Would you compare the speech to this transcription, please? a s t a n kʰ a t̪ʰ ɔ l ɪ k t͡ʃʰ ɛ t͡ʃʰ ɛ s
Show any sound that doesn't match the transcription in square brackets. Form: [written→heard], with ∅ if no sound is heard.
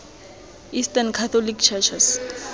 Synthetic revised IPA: [a→i] s t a n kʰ a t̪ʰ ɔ l [ɪ→i] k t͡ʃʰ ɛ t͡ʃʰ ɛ s